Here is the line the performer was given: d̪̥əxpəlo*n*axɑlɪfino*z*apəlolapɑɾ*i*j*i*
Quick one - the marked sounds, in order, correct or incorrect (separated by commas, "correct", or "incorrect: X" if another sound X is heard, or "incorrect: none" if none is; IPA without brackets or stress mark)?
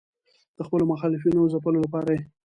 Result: incorrect: m, correct, incorrect: a, incorrect: e